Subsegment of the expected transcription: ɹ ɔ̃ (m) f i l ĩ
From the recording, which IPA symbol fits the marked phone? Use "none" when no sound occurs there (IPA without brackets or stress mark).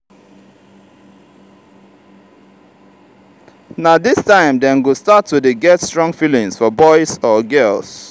ŋ